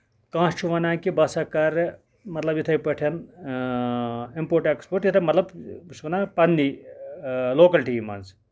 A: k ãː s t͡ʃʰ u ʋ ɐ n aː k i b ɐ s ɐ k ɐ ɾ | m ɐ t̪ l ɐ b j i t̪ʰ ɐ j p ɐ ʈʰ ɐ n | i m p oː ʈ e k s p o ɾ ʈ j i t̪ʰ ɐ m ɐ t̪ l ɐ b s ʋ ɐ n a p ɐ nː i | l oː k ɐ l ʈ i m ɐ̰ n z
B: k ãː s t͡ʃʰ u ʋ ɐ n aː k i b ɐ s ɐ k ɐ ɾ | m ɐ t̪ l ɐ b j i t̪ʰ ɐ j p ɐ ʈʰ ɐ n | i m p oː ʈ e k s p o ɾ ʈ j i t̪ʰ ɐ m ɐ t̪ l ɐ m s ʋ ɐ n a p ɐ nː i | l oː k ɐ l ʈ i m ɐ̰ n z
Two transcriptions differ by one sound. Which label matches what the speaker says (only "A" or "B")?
A